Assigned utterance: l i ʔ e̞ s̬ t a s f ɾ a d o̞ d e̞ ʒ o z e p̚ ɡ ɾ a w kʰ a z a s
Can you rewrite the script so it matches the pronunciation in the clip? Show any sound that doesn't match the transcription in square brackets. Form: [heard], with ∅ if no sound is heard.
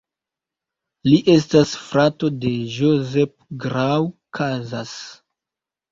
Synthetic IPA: l i ʔ e̞ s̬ t a s f ɾ a [t] o̞ d e̞ ʒ o z e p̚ ɡ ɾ a w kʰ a z a s